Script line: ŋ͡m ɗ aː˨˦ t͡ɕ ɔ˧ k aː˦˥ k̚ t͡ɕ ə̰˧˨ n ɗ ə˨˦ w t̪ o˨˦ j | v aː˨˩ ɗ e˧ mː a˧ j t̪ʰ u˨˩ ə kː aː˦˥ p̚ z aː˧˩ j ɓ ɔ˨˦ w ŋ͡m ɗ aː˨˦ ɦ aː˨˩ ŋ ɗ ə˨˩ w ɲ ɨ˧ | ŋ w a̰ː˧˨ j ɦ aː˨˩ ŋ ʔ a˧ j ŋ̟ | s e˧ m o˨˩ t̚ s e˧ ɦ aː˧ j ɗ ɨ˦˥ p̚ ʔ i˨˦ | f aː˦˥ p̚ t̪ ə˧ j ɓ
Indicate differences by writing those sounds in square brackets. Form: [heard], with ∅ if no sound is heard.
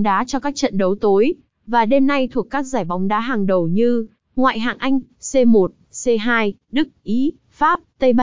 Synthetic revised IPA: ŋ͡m ɗ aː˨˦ t͡ɕ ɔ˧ k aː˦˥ k̚ t͡ɕ ə̰˧˨ n ɗ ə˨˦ w t̪ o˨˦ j | v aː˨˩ ɗ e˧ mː a˧ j t̪ʰ u˨˩ ə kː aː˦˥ [k̚] z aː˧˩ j ɓ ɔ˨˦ w ŋ͡m ɗ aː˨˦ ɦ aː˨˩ ŋ ɗ ə˨˩ w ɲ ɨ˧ | ŋ w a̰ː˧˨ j ɦ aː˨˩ ŋ ʔ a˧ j ŋ̟ | s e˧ m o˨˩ t̚ s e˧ ɦ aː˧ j ɗ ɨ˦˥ [k̚] ʔ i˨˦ | f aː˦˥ p̚ t̪ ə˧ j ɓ